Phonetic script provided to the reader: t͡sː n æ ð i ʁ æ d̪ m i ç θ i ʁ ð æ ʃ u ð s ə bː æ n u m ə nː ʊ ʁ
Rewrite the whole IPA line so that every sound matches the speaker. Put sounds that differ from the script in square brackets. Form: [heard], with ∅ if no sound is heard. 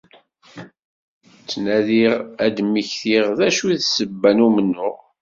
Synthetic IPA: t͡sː n æ ð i ʁ æ d̪ m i ç θ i ʁ ð æ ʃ u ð s ə bː æ n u m ə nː ʊ ʁ